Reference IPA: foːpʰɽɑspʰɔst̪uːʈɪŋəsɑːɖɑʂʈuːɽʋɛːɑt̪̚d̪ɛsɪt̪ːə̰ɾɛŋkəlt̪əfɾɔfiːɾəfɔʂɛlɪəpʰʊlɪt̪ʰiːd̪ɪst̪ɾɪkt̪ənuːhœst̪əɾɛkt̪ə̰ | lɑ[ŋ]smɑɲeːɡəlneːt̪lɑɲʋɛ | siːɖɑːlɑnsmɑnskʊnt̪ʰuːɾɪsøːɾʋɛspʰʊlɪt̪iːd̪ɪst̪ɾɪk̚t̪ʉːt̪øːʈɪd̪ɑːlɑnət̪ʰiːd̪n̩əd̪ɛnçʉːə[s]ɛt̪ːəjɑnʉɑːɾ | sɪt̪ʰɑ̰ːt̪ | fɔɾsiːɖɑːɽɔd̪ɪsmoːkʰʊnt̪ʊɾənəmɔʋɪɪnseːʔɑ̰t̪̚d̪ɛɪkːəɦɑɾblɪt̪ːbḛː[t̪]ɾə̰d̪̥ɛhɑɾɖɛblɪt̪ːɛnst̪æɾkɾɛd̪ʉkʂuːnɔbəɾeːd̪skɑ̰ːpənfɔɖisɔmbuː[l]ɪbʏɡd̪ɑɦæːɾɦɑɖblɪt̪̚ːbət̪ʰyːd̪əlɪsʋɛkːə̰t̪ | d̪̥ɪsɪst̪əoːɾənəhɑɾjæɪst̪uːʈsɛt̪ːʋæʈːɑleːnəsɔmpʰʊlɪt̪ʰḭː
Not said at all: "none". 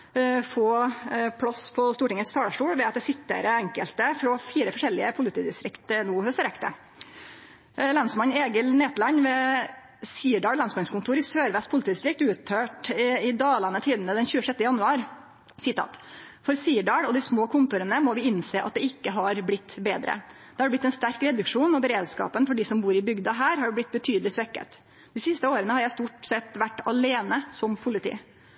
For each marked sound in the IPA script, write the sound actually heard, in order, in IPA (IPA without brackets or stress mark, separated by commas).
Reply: n, ʂ, d̪, ɾ